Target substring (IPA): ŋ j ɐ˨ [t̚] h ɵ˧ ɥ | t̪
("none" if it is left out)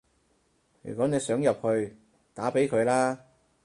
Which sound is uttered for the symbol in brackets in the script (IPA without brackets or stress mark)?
p̚